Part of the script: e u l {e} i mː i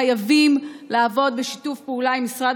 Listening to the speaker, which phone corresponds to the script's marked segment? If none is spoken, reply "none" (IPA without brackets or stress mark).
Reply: a